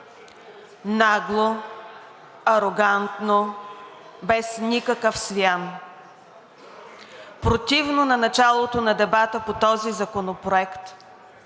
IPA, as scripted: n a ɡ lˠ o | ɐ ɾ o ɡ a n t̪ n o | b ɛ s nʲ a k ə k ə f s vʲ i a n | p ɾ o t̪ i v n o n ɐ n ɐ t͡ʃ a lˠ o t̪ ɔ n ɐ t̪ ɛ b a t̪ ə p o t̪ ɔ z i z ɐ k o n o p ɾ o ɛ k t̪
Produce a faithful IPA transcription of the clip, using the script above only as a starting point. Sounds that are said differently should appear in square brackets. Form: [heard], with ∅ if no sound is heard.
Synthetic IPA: n a ɡ lˠ o | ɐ ɾ o ɡ a n t̪ n o | b ɛ s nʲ [i] k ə k ə f s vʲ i a n | p ɾ o t̪ i v n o n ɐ n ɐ t͡ʃ a lˠ o t̪ [o] n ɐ [d̪] ɛ b a t̪ ə p o t̪ ɔ z i z ɐ k o n o p ɾ o ɛ k t̪